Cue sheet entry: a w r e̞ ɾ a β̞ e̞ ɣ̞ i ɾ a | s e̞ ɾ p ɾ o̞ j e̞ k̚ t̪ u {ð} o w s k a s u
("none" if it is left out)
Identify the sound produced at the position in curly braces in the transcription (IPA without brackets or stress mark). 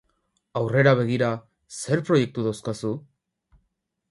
ð